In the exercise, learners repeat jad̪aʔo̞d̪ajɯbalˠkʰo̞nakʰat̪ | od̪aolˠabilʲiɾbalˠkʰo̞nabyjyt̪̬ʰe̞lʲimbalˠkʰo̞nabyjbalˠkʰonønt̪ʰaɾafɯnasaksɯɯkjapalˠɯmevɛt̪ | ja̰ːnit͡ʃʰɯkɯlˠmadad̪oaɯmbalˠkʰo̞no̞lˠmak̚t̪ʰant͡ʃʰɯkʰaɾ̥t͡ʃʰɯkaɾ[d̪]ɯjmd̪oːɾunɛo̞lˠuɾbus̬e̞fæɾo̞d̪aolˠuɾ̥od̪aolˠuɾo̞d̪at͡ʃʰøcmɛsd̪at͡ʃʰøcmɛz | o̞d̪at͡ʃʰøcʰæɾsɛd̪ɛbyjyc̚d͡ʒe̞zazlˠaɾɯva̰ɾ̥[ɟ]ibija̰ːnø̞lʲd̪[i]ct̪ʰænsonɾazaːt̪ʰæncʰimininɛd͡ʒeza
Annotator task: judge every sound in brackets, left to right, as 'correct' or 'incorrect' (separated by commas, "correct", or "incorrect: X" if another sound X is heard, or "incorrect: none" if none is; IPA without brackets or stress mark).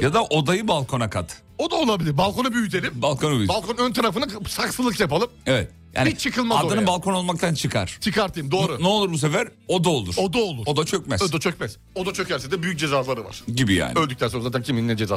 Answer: incorrect: t̪, correct, incorrect: y